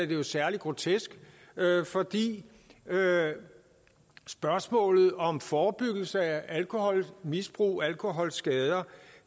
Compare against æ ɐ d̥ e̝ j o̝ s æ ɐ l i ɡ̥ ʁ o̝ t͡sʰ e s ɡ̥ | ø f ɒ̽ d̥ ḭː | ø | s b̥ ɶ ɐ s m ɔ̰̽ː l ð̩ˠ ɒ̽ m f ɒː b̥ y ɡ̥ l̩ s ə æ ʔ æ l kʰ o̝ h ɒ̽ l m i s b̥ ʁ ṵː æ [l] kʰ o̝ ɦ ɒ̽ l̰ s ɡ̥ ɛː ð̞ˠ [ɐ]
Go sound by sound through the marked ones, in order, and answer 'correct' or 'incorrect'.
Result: correct, correct

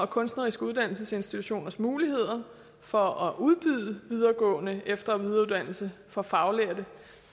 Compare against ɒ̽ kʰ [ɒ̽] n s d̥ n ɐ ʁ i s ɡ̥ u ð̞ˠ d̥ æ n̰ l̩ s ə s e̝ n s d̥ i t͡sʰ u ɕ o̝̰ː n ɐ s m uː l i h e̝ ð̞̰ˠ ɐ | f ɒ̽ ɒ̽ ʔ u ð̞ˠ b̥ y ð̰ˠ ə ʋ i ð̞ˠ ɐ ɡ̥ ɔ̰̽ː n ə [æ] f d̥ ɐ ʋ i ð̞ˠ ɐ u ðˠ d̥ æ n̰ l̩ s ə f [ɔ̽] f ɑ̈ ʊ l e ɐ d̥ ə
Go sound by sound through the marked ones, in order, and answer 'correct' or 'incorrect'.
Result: incorrect: ɔ̽, incorrect: e, incorrect: ɒ̽

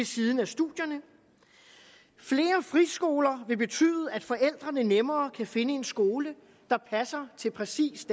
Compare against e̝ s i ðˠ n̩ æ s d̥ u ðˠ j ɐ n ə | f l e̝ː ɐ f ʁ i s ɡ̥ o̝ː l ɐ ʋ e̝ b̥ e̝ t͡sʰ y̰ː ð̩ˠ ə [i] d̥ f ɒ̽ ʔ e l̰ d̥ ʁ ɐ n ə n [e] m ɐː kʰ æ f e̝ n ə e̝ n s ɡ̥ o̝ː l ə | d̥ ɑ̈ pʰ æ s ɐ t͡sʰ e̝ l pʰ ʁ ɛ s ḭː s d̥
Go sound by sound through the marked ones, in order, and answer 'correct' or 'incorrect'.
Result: incorrect: æ, correct

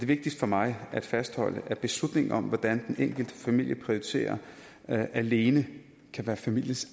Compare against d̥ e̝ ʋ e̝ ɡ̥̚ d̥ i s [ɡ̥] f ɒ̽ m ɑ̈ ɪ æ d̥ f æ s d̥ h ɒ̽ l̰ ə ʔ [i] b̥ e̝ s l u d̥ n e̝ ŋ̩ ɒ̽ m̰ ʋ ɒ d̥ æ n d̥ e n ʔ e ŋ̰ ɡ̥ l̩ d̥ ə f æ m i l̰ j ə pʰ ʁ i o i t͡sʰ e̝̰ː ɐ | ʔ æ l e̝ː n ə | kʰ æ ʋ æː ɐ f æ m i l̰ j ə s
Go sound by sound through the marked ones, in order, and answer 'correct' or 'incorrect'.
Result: incorrect: d̥, incorrect: æ

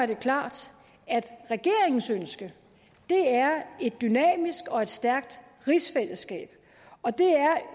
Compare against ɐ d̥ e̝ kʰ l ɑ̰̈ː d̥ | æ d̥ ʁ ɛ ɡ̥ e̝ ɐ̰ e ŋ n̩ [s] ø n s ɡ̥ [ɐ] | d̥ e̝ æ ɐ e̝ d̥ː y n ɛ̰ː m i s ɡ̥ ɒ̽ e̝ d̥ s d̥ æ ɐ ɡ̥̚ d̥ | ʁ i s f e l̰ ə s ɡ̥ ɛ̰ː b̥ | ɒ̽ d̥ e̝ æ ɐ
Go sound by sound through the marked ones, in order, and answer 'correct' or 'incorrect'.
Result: correct, incorrect: ə

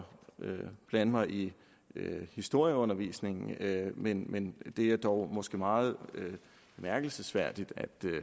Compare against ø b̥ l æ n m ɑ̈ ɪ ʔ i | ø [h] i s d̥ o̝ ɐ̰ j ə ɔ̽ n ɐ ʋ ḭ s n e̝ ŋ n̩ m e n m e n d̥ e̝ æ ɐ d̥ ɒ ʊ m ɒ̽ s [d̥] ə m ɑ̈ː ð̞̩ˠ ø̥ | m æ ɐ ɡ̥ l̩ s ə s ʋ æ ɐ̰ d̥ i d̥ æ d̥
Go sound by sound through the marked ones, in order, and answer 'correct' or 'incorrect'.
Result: correct, incorrect: ɡ̥

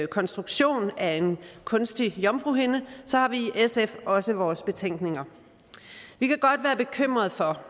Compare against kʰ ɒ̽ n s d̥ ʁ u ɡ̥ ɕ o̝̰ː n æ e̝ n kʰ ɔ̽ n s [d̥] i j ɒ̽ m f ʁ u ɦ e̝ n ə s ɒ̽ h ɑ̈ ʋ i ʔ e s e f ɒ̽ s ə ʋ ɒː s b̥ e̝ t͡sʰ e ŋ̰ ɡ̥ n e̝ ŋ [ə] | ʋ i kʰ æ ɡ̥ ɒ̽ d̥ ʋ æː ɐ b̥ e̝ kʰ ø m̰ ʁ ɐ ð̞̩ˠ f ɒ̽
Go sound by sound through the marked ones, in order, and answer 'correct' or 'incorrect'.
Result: correct, incorrect: ɐ

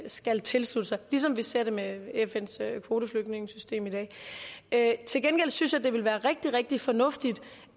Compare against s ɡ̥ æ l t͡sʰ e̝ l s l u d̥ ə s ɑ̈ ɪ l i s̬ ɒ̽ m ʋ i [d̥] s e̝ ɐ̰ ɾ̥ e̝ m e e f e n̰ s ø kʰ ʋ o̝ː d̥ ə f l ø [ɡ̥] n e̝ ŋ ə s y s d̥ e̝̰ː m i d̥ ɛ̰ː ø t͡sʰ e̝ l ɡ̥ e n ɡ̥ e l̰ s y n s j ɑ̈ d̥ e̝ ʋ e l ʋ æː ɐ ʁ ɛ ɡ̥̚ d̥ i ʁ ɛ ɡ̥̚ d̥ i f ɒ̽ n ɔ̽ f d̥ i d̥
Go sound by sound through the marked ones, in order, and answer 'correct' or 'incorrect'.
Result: incorrect: none, correct

